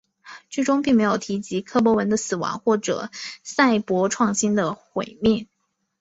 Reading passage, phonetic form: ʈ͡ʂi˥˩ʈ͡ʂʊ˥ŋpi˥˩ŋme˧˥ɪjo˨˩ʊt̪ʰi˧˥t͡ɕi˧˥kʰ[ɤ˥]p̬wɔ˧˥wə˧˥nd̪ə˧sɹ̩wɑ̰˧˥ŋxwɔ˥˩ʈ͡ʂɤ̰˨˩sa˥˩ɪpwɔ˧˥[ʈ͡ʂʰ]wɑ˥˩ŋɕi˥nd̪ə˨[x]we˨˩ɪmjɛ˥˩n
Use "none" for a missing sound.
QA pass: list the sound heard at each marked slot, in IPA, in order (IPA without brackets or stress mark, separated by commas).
ɤ˥, ʈ͡ʂʰ, x